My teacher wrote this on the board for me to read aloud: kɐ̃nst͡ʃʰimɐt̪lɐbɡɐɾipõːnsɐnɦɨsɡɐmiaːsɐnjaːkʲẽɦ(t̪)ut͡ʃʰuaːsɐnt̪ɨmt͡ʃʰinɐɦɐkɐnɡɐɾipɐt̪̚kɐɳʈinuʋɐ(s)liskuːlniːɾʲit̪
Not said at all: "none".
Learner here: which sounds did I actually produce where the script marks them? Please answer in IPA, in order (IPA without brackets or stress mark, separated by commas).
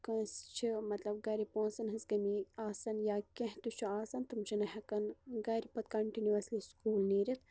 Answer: t̪, s